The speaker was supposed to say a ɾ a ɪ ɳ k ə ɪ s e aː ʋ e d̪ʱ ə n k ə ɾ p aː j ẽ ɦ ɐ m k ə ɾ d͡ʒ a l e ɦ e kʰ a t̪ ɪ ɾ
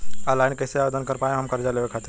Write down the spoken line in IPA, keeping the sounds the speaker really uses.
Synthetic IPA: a l a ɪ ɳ k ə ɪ s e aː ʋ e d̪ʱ ə n k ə ɾ p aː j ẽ ɦ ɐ m k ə ɾ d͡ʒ a l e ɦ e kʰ a t̪ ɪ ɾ